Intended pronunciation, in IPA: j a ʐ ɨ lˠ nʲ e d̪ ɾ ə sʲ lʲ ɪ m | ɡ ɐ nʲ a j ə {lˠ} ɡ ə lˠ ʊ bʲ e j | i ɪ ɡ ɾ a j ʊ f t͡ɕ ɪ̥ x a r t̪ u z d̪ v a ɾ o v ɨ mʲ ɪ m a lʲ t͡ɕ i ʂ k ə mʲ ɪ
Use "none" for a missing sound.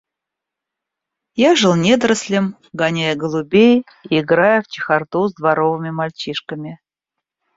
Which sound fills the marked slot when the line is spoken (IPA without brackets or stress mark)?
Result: none